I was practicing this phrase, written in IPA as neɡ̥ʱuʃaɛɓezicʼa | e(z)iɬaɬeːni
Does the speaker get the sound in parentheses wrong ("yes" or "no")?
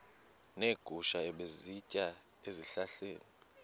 no